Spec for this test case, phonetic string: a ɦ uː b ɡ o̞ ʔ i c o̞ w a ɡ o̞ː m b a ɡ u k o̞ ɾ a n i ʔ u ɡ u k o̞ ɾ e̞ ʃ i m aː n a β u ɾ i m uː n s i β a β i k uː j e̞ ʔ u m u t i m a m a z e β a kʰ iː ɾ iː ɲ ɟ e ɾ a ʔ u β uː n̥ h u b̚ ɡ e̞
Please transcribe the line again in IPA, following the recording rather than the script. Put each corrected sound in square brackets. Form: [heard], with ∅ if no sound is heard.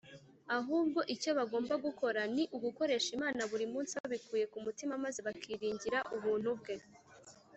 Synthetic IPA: a ɦ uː b ɡ o̞ ʔ i c o̞ [β] a ɡ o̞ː m b a ɡ u k o̞ ɾ a n i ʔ u ɡ u k o̞ ɾ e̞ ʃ i m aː n a β u ɾ i m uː n s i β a β i k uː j e̞ [k] u m u t i m a m a z e β a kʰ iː ɾ iː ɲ ɟ [i] ɾ a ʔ u β uː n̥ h u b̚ ɡ e̞